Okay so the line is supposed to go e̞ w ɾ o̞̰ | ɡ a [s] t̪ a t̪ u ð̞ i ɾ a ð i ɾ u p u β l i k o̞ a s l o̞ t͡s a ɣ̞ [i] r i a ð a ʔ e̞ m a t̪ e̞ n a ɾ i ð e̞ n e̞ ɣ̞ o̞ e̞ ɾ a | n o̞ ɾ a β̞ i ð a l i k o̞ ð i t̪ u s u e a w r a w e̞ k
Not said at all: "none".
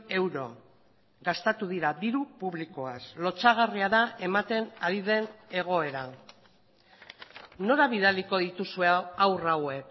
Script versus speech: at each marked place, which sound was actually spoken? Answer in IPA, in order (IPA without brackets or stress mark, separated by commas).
s, a